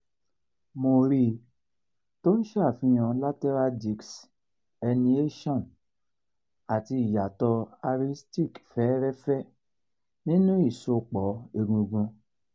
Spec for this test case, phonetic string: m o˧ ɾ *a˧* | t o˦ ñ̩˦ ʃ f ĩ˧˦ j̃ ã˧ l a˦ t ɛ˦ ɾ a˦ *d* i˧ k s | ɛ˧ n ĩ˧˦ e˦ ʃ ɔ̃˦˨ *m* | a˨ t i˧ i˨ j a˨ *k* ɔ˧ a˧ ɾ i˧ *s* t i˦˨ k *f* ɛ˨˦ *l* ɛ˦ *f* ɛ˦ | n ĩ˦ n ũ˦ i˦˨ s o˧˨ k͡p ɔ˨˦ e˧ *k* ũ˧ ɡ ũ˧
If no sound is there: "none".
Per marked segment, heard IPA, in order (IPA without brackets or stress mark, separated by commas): i˧, d, n, t, s, f, ɾ, f, ɡ